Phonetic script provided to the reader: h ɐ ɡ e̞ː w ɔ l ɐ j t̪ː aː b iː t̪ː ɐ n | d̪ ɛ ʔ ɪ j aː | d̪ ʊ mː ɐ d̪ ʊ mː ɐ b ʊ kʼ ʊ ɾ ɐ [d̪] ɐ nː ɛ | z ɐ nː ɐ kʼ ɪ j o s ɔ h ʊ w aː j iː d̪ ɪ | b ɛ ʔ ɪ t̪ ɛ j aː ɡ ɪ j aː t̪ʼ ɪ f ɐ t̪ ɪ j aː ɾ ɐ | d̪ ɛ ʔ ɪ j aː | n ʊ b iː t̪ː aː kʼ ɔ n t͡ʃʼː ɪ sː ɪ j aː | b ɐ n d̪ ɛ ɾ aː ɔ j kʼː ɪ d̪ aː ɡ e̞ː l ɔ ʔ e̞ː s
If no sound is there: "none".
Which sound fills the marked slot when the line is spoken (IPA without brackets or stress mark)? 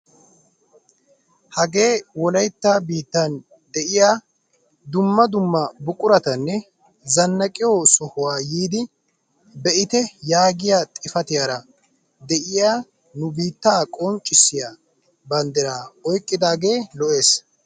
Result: t̪